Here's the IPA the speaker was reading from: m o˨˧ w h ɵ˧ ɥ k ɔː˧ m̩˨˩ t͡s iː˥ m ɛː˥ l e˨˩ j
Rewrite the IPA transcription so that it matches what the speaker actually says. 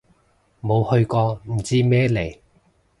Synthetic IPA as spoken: m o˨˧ w h ɵ˧ ɥ k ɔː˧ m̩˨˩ t͡s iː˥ m ɛː˥ l e˨˩ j